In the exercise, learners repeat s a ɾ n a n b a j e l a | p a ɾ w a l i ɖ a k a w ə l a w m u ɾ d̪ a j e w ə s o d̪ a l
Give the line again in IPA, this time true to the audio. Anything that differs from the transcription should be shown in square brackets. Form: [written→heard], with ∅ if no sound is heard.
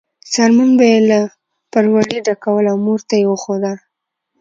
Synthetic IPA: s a ɾ [n→m] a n b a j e l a | p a ɾ w a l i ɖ a k a w ə l a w m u ɾ [d̪→t̪] a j e w ə [s→x] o d̪ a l